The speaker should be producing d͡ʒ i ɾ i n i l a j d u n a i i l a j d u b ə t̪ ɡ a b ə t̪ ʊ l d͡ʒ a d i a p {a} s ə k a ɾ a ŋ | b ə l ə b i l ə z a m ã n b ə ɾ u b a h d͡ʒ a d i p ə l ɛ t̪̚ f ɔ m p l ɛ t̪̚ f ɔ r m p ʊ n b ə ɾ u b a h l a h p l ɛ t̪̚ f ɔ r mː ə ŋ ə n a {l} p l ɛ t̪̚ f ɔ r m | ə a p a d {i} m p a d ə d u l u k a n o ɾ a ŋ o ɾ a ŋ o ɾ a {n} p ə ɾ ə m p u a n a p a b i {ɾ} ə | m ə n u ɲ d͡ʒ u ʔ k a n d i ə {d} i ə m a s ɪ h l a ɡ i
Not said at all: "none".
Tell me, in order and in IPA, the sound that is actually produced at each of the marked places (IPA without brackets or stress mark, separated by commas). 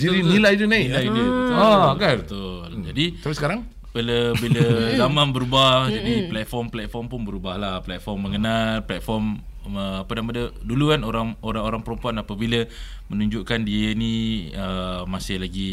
i, l, a, ŋ, l, n